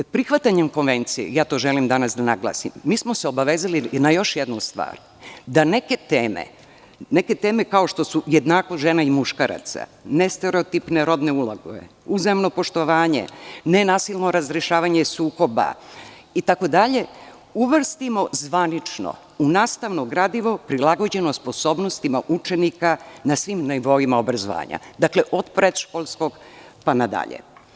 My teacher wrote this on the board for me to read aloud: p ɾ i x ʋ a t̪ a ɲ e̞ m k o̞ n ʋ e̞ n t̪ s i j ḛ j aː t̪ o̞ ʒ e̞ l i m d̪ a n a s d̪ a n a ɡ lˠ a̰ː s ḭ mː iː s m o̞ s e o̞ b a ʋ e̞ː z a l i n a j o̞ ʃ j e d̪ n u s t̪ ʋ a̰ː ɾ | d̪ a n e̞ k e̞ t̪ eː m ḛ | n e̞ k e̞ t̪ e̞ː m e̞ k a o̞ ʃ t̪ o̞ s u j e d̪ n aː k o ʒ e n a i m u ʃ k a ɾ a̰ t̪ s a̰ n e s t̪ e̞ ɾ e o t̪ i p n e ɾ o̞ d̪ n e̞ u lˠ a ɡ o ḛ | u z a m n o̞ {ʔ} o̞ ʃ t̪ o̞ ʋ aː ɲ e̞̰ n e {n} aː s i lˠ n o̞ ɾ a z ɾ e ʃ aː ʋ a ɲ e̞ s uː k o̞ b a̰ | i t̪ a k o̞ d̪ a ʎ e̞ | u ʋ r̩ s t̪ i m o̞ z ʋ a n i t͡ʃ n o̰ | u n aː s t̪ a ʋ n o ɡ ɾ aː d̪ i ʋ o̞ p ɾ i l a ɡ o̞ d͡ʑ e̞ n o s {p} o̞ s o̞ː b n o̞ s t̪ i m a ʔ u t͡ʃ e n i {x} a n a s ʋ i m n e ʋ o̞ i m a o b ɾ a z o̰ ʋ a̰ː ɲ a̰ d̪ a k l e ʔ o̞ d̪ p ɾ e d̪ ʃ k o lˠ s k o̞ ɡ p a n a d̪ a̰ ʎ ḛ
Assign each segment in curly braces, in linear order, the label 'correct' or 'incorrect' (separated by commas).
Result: incorrect, correct, correct, incorrect